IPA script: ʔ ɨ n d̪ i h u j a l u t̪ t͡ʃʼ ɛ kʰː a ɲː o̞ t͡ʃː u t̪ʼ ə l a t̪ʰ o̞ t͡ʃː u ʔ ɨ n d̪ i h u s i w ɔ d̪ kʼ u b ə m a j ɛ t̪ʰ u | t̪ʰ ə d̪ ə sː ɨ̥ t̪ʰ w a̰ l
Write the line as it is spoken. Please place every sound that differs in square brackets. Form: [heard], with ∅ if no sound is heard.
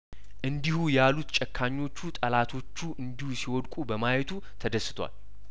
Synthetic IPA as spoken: ʔ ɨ n d̪ i h u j a l u t̪ t͡ʃʼ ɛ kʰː a ɲː o̞ t͡ʃː u t̪ʼ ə l a t̪ʰ o̞ t͡ʃː u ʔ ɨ n d̪ i h u s i w ɔ d̪ kʼ u b ə m a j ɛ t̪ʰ u | t̪ʰ ə d̪ ə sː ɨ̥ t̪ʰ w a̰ l